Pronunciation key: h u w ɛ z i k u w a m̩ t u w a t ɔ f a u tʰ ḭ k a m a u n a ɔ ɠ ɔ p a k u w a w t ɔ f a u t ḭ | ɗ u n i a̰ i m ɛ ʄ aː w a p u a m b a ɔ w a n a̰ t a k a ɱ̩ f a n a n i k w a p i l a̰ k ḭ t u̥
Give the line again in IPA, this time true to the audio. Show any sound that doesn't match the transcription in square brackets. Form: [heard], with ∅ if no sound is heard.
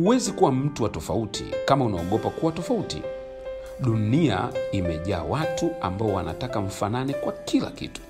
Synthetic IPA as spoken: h u w ɛ z i k u w a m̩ t u w a t ɔ f a u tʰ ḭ k a m a u n a ɔ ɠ ɔ p a k u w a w t ɔ f a u t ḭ | ɗ u n i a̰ i m ɛ ʄ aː w a [t] u a m b a ɔ w a n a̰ t a k a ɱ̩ f a n a n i k w a [k] i l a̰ k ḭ t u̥